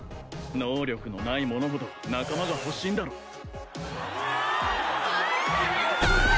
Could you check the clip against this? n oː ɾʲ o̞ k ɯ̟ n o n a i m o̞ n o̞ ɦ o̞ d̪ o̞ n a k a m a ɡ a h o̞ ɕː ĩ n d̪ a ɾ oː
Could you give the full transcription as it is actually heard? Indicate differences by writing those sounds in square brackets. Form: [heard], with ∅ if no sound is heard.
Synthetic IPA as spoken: n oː ɾʲ o̞ k ɯ̟ n o n a i m o̞ n o̞ ɦ o̞ d̪ o̞ n a k a m a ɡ a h o̞ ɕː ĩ n d̪ a ɾ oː